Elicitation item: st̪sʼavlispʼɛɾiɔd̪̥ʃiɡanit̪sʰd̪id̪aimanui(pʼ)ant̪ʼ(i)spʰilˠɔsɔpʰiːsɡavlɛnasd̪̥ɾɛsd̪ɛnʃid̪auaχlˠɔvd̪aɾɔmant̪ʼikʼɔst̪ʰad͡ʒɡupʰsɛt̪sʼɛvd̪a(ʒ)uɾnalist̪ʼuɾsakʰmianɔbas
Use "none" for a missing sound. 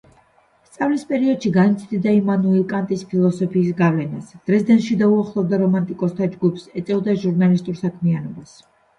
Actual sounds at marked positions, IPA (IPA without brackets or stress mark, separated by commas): kʼ, i, ʒ